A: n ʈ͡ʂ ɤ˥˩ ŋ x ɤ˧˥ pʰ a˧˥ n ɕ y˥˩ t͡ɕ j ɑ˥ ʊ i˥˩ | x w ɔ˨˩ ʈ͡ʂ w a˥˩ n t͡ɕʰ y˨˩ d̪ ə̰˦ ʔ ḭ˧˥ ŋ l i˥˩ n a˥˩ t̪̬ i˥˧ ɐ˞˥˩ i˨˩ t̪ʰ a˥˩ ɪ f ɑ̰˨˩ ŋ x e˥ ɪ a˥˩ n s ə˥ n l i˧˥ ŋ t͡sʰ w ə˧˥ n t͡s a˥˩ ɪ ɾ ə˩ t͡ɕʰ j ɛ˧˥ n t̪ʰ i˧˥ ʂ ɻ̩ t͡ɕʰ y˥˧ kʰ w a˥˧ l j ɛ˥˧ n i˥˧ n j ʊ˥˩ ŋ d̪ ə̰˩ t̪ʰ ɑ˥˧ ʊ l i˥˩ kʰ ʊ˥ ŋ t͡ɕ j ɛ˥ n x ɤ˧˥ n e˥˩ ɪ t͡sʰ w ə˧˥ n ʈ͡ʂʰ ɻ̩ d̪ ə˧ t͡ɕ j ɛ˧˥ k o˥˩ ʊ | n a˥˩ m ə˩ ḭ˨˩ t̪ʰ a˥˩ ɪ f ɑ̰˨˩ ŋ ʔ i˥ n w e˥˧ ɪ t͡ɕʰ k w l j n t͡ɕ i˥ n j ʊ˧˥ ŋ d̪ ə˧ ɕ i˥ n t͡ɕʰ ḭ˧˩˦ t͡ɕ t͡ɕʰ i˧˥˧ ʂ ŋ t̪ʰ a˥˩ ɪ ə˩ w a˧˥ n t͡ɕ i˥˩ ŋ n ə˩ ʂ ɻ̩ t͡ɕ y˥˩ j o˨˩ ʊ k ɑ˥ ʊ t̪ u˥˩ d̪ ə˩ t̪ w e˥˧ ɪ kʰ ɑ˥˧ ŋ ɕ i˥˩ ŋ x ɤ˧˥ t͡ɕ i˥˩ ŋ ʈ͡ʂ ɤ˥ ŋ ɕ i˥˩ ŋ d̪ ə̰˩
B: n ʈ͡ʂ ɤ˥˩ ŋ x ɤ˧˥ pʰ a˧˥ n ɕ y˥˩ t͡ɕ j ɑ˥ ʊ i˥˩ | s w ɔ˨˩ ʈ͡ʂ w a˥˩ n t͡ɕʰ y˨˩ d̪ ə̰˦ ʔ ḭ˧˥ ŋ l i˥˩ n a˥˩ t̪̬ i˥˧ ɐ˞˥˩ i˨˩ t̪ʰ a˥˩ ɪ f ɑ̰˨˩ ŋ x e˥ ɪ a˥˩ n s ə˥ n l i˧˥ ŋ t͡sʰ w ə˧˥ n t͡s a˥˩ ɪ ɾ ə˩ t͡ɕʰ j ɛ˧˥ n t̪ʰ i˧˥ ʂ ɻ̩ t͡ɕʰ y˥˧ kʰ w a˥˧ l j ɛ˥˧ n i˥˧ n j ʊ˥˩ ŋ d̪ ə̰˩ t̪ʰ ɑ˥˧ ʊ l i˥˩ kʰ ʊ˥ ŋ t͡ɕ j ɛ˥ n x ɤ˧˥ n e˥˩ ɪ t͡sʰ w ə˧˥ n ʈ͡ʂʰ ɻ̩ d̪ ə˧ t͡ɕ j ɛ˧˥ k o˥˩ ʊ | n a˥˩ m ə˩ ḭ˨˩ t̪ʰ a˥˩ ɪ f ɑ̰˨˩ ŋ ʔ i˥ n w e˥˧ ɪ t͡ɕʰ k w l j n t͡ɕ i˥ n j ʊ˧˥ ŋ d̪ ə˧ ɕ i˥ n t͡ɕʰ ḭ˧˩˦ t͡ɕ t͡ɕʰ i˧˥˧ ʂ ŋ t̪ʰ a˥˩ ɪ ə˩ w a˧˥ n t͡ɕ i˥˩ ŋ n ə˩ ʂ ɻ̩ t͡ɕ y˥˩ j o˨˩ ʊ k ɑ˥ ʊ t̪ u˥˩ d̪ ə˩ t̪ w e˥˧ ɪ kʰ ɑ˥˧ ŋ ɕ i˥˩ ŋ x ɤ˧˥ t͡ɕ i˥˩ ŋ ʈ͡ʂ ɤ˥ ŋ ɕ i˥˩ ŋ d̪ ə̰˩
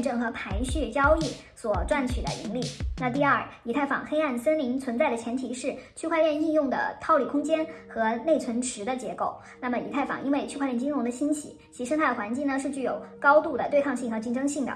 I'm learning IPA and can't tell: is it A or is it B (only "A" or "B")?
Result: B